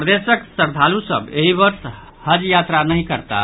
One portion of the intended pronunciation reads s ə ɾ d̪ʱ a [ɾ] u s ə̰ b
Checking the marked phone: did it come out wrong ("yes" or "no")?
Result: yes